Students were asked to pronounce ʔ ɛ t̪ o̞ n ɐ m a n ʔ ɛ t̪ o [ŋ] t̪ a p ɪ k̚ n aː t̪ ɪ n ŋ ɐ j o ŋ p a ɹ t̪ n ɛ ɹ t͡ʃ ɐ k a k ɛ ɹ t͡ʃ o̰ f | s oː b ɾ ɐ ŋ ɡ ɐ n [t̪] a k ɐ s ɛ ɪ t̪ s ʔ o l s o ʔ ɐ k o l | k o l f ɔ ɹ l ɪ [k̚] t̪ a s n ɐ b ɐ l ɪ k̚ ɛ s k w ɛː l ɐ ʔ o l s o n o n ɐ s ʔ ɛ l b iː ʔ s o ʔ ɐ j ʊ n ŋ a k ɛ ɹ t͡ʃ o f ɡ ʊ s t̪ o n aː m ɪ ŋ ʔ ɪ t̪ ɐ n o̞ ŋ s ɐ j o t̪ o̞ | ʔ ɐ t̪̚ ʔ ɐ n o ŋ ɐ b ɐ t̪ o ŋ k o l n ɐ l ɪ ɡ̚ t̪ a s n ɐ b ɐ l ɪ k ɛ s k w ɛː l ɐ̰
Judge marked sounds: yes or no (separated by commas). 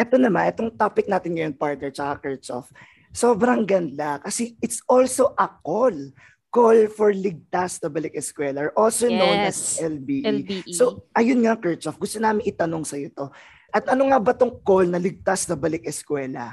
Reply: yes, no, no